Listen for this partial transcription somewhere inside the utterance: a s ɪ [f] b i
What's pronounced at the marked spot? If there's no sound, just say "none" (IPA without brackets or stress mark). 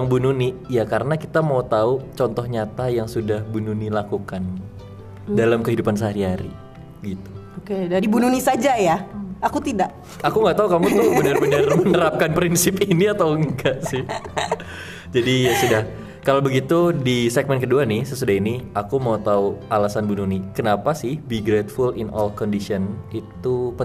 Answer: h